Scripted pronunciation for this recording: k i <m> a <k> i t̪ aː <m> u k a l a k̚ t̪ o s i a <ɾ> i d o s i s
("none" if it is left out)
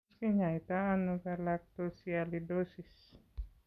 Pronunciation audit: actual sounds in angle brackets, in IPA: ɲ, none, n, l

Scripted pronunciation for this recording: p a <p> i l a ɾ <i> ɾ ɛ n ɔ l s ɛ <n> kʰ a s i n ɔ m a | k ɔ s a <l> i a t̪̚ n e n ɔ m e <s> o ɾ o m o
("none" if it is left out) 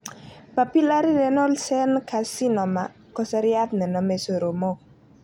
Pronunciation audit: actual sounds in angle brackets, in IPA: p, i, n, ɾ, s

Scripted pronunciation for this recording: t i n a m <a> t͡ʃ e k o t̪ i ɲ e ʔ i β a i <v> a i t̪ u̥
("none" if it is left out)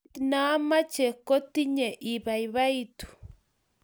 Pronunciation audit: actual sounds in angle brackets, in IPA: a, β

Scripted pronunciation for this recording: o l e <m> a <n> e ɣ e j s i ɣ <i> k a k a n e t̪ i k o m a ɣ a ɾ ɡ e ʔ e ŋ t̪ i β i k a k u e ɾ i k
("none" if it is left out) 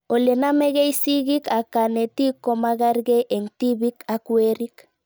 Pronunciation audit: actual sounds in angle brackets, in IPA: n, m, i

